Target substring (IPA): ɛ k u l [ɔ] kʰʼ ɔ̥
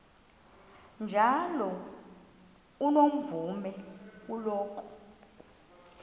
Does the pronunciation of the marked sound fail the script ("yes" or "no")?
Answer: yes